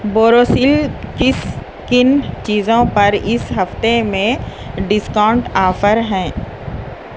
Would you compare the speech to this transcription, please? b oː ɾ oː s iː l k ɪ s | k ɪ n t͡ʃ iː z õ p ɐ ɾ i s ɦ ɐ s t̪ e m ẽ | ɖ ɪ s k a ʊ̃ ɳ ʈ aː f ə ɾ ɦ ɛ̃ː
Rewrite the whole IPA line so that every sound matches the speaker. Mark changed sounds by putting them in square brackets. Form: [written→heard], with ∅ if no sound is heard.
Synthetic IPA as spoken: b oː ɾ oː s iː l k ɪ s | k ɪ n t͡ʃ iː z õ p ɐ ɾ [i→ɪ] s ɦ ɐ [s→f] t̪ e m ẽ | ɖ ɪ s k a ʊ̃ ɳ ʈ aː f ə ɾ ɦ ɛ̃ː